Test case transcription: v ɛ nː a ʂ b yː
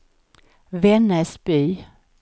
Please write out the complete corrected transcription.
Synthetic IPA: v ɛ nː ə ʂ b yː